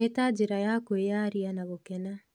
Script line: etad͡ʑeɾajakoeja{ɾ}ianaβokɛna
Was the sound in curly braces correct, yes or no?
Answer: yes